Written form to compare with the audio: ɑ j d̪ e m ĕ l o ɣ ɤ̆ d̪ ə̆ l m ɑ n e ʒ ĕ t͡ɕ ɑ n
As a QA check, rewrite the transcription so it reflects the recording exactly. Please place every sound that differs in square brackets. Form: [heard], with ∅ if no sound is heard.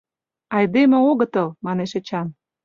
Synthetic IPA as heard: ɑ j d̪ e m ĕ [∅] o ɣ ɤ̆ [t̪] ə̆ l m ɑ n e [ʃ] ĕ t͡ɕ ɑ n